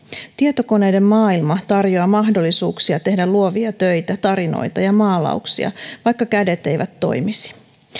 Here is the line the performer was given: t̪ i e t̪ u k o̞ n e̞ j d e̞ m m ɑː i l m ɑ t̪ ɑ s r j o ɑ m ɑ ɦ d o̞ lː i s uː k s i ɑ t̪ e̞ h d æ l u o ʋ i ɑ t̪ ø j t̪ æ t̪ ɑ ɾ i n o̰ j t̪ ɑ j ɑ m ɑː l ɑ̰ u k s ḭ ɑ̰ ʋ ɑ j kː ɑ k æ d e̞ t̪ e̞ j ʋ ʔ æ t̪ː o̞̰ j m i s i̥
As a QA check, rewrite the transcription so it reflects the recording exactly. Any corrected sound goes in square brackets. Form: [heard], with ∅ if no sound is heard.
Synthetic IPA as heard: t̪ i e t̪ [o] k o̞ n e̞ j d e̞ m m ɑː i l m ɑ t̪ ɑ [∅] r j o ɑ m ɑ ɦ d o̞ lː i s uː k s i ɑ t̪ e̞ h d æ l u o ʋ i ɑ t̪ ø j t̪ æ t̪ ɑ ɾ i n o̰ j t̪ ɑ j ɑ m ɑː l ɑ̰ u k s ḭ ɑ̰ ʋ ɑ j kː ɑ k æ d e̞ t̪ e̞ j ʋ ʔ æ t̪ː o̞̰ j m i s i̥